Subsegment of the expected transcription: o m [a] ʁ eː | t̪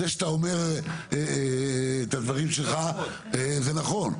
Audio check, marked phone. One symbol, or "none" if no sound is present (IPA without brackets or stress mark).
e